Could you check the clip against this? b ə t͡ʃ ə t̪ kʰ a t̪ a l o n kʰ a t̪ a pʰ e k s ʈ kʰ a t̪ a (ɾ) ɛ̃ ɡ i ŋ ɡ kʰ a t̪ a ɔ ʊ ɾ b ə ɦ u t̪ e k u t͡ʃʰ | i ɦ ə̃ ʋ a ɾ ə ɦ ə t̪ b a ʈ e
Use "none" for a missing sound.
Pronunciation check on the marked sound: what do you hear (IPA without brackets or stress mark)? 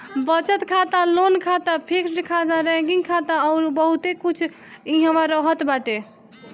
ɾ